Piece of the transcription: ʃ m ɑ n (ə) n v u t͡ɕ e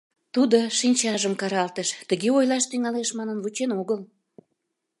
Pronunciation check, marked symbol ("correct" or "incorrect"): correct